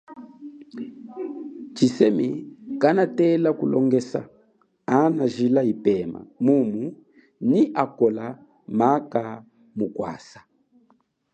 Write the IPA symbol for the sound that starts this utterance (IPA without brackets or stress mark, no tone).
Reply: t͡ʃ